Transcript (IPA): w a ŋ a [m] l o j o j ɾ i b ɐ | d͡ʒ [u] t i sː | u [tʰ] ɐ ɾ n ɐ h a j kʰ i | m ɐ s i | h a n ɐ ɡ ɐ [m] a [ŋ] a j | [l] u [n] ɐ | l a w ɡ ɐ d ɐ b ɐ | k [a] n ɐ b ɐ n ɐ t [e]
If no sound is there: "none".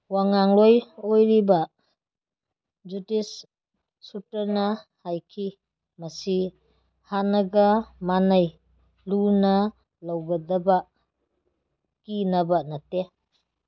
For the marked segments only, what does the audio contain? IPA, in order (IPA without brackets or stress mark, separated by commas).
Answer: ŋ, u, t, m, n, l, n, i, e